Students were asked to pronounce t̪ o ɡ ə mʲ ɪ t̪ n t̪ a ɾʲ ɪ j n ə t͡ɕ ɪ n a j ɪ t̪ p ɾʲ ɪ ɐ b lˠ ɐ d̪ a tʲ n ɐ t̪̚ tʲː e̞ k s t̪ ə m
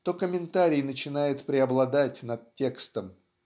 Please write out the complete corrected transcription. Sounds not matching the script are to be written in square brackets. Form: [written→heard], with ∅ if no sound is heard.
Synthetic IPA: t̪ o [ɡ→k] ə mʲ ɪ [t̪→∅] n t̪ a ɾʲ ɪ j n ə t͡ɕ ɪ n a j ɪ t̪ p ɾʲ ɪ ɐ b lˠ ɐ d̪ a tʲ n ɐ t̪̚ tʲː e̞ k s t̪ ə m